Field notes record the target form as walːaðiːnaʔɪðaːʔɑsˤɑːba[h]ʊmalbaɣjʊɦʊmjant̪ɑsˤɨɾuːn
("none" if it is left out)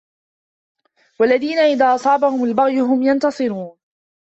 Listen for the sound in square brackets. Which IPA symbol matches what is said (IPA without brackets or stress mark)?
h